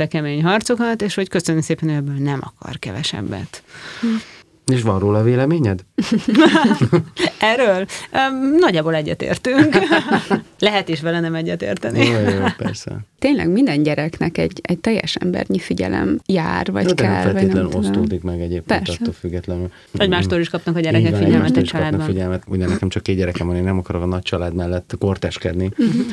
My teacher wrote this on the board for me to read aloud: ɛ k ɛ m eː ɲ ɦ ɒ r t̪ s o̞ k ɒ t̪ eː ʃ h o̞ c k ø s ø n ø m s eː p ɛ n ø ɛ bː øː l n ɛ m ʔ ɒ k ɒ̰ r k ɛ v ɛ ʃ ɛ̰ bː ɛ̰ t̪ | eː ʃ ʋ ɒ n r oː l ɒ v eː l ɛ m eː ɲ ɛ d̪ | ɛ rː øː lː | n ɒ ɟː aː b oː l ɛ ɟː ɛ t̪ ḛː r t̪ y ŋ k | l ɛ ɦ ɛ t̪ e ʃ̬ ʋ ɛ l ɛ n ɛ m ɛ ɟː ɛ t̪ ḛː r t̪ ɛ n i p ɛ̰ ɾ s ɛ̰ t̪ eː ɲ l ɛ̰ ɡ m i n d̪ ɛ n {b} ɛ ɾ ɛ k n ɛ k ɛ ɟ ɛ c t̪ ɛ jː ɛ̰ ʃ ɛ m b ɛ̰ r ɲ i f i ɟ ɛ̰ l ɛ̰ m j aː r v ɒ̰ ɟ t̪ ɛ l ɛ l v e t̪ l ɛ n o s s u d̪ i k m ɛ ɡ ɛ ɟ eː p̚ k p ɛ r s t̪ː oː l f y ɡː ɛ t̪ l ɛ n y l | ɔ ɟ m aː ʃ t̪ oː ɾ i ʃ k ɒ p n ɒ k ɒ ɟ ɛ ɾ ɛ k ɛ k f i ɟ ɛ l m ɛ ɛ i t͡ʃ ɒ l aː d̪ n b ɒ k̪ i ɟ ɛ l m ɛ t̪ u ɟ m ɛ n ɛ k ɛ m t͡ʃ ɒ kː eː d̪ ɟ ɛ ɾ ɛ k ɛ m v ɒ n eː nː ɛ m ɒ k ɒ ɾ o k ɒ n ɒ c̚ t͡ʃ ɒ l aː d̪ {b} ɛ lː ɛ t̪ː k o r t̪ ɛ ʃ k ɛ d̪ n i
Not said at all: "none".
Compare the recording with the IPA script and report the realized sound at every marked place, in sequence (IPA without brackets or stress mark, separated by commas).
ɟ, m